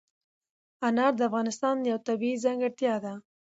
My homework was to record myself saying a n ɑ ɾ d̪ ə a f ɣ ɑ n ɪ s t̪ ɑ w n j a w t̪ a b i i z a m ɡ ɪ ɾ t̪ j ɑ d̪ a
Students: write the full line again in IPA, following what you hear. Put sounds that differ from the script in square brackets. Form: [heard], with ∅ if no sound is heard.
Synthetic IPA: a n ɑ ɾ d̪ ə a f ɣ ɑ n ɪ s t̪ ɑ [∅] n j a w t̪ a b i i z a [ŋ] ɡ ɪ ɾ t̪ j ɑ d̪ a